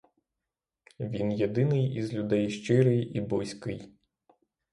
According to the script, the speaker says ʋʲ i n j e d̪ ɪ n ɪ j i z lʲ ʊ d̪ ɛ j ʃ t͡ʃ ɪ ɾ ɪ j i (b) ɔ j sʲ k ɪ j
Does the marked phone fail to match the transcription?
no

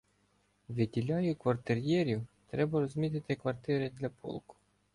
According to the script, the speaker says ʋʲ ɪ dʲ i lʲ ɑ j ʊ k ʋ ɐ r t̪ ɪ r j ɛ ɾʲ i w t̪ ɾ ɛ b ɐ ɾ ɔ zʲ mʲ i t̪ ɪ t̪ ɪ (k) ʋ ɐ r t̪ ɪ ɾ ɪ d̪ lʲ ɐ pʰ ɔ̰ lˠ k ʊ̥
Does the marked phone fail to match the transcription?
no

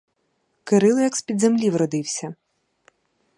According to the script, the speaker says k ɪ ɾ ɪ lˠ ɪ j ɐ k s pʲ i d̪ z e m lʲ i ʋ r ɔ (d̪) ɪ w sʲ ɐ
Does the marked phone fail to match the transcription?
no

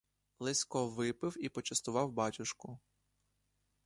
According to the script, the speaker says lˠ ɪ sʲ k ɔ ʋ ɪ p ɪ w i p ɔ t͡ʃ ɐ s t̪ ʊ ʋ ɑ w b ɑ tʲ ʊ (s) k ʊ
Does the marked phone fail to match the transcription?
yes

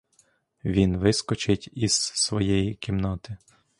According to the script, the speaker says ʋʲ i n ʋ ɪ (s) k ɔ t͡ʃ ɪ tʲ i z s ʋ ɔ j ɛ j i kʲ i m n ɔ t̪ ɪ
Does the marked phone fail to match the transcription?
no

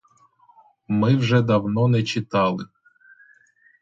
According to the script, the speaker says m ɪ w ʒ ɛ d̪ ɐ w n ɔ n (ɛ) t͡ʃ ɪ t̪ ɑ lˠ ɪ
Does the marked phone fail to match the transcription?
no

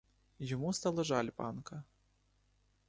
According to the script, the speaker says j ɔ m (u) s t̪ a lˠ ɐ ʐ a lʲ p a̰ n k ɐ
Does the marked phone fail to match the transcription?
no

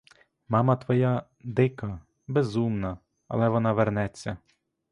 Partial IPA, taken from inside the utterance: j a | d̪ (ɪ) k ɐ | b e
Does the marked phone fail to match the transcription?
no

